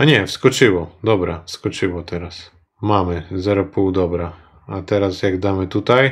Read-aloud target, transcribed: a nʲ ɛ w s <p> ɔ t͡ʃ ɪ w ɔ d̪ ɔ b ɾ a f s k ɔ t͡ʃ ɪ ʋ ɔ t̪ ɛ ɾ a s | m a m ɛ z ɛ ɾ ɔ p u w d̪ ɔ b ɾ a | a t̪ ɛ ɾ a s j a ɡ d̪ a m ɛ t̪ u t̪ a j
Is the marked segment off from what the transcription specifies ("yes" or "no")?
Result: yes